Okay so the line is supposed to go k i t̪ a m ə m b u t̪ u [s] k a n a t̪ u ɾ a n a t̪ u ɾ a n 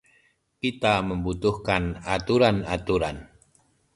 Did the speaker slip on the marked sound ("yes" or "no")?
yes